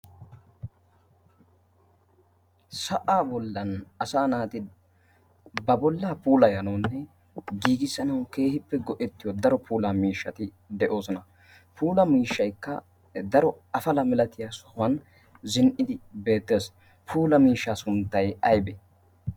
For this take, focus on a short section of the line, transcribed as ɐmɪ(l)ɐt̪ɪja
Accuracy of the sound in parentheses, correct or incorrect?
correct